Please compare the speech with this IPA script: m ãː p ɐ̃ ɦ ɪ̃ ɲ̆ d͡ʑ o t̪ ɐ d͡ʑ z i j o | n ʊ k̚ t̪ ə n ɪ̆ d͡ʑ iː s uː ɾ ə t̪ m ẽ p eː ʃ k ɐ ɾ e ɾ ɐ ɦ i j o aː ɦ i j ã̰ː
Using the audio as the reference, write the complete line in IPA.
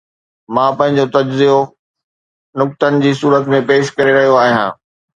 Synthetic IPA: m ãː p ɐ̃ ɦ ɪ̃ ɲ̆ d͡ʑ o t̪ ɐ d͡ʑ z i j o | n ʊ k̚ t̪ ə n ɪ̆ d͡ʑ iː s uː ɾ ə t̪ m ẽ p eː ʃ k ɐ ɾ e ɾ ɐ ɦ i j o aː ɦ i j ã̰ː